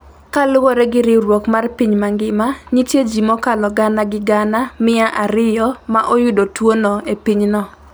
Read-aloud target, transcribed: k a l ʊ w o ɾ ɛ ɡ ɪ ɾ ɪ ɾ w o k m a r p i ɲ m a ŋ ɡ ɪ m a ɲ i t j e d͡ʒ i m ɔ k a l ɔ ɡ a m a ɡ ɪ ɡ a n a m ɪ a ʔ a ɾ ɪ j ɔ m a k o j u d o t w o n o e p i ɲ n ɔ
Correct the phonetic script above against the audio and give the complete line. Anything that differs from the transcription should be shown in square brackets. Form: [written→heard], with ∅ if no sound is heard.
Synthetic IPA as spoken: k a l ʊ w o ɾ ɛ ɡ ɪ ɾ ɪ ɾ w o k m a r p i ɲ m a ŋ ɡ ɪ m a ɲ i t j e d͡ʒ i m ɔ k a l ɔ ɡ a [m→n] a ɡ ɪ ɡ a n a m ɪ a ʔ a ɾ ɪ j ɔ m a [k→ʔ] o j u d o t w o n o e p i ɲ n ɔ